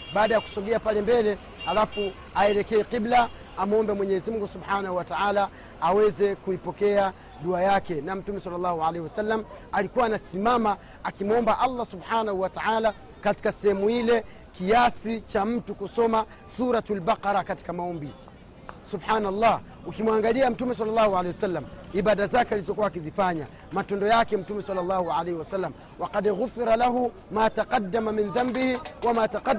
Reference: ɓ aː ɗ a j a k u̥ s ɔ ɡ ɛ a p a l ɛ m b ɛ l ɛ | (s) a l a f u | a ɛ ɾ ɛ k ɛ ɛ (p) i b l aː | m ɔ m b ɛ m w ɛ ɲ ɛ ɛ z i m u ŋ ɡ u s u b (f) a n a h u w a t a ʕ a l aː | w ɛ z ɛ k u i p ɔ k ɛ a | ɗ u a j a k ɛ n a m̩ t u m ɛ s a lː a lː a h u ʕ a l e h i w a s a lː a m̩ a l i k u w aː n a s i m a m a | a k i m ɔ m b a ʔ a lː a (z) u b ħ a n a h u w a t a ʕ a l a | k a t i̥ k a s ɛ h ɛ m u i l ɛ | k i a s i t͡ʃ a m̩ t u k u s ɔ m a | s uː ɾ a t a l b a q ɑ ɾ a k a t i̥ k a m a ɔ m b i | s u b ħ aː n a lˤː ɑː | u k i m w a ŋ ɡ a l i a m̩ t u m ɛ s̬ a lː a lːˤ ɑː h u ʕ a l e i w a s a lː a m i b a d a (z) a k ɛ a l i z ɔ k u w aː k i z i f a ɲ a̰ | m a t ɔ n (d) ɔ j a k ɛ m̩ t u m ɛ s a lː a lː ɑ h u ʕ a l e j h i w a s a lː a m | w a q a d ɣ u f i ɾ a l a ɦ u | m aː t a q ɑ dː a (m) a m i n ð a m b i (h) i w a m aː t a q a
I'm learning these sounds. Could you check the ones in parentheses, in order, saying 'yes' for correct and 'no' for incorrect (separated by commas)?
no, no, no, no, yes, yes, yes, yes